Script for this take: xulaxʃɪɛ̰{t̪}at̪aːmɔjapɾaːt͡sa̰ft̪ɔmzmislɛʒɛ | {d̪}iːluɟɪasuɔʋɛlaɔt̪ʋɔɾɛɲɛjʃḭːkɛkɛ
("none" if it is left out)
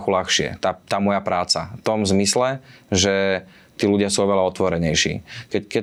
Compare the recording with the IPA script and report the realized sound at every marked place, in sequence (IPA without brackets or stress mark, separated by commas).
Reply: t̪, t̪